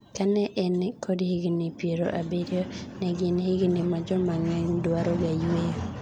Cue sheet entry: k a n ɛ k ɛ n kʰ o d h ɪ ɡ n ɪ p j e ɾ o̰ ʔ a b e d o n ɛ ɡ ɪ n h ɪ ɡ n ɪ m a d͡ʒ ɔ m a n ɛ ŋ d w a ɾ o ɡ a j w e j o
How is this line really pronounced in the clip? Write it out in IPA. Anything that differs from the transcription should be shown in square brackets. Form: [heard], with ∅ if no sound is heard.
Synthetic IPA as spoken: k a n ɛ [ʔ] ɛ n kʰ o d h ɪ ɡ n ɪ p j e ɾ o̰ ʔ a b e d o n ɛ ɡ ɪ n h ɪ ɡ n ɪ m a d͡ʒ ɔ m a [ŋ] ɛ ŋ d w a ɾ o ɡ a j w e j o